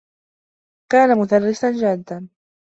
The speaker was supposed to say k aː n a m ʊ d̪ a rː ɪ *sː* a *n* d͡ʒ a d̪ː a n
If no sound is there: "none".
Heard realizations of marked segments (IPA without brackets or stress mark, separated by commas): s, n